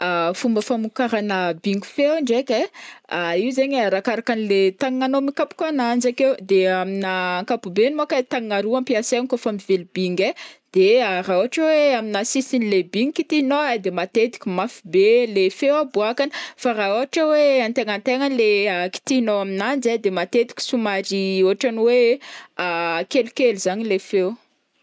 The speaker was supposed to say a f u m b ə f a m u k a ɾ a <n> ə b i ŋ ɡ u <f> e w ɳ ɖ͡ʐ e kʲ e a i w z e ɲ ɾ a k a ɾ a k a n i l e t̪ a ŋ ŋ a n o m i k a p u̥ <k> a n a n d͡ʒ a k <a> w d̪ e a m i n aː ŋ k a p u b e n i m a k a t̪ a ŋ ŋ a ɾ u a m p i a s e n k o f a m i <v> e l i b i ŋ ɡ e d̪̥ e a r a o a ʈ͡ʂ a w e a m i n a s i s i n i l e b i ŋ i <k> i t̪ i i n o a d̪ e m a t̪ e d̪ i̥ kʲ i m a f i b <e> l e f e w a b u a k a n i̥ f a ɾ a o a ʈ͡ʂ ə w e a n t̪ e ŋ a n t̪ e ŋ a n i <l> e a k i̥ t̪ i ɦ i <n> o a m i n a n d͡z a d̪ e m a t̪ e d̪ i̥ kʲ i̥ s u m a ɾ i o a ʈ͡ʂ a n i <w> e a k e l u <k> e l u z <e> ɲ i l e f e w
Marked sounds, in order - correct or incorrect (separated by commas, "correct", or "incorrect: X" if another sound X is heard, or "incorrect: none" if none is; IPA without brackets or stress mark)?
correct, correct, correct, incorrect: e, correct, correct, correct, correct, correct, correct, correct, incorrect: a